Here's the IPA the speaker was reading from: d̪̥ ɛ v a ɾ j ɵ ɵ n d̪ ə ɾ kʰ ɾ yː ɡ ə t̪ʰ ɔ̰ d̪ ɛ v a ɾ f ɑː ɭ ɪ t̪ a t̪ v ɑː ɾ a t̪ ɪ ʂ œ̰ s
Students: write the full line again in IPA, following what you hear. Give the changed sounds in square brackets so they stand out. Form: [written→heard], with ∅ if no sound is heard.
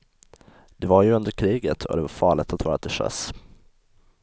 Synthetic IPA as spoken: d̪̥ ɛ v a ɾ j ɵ ɵ n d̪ ə ɾ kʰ ɾ [yː→iː] ɡ ə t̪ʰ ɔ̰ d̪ ɛ v a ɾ f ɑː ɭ ɪ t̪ a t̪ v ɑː ɾ a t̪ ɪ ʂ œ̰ s